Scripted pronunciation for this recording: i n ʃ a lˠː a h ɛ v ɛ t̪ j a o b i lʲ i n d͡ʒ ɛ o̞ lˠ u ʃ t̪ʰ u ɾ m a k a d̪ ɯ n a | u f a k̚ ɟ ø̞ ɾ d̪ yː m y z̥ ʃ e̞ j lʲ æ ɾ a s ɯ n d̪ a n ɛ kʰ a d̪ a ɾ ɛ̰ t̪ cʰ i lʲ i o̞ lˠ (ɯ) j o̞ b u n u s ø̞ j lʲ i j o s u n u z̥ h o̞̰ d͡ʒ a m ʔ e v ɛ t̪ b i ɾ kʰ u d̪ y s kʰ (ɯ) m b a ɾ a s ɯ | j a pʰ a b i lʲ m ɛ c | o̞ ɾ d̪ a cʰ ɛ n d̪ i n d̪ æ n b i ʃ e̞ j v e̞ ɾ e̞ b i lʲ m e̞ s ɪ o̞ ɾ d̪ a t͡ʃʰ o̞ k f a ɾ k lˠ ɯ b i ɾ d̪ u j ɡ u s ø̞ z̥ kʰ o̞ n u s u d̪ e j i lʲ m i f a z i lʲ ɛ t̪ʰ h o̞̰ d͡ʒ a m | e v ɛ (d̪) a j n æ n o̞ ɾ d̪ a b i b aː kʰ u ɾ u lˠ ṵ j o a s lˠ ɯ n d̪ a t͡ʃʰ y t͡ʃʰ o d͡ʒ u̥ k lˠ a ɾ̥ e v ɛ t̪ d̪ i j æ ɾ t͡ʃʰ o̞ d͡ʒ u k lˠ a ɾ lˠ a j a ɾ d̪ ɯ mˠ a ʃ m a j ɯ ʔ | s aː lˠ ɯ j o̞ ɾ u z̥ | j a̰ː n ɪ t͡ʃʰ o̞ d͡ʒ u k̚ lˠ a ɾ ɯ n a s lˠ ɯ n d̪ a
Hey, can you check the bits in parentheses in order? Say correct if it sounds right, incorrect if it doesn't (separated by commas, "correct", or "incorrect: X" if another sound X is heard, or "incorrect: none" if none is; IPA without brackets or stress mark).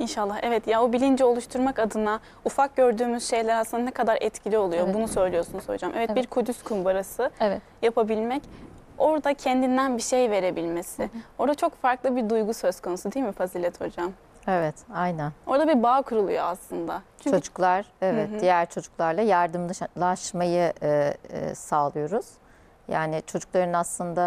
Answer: incorrect: u, incorrect: u, incorrect: t̪